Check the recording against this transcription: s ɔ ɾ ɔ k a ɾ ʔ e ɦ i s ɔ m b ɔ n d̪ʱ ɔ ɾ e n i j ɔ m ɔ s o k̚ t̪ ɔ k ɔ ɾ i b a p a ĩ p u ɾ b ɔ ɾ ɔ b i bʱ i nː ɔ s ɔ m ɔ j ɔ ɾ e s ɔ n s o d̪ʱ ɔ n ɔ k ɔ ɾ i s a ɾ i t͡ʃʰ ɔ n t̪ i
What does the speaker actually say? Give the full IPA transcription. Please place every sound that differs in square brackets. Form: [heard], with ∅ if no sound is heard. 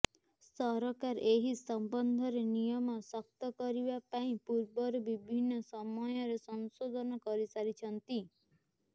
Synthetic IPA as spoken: s ɔ ɾ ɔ k a ɾ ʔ e ɦ i s ɔ m b ɔ n d̪ʱ ɔ ɾ e n i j ɔ m ɔ s [ɔ] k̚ t̪ ɔ k ɔ ɾ i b a p a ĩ p u ɾ b ɔ ɾ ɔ b i bʱ i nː ɔ s ɔ m ɔ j ɔ ɾ e s ɔ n s o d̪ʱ ɔ n ɔ k ɔ ɾ i s a ɾ i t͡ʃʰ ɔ n t̪ i